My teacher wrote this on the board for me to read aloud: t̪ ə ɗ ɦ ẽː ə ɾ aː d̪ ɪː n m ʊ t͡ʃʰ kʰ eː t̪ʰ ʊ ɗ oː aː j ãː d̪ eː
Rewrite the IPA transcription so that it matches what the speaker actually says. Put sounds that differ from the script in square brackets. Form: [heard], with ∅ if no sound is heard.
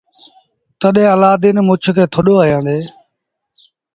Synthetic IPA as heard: t̪ ə ɗ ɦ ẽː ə [l] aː d̪ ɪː n m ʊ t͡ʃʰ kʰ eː t̪ʰ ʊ ɗ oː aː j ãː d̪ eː